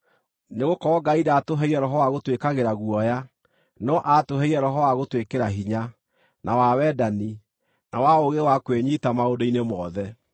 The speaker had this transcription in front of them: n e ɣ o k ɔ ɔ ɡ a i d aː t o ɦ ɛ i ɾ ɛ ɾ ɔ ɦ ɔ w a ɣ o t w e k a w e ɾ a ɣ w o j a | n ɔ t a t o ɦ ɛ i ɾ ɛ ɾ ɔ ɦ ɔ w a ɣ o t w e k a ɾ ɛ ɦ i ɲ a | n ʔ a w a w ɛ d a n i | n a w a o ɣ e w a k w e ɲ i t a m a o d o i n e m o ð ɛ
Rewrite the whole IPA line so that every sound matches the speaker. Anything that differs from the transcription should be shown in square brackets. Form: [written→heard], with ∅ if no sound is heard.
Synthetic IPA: n e ɣ o k ɔ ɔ ɡ a i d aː t o ɦ ɛ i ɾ ɛ ɾ ɔ ɦ ɔ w a ɣ o t w e k a [w→ɣ] e ɾ a ɣ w [o→ɔ] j a | n ɔ [t→ʔ] a t o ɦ ɛ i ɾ ɛ ɾ ɔ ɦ ɔ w a ɣ o t w e k [a→e] ɾ [ɛ→a] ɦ i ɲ a | n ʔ a w a w ɛ d a n i | n a w a o ɣ e w a k w e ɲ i t a m a o d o i n e m [o→ɔ] ð ɛ